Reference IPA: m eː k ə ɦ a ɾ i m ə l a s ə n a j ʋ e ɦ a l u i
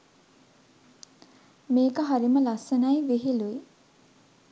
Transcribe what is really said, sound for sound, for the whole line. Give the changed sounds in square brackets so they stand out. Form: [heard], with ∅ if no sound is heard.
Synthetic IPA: m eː k ə ɦ a ɾ i m ə l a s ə n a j ʋ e ɦ [i] l u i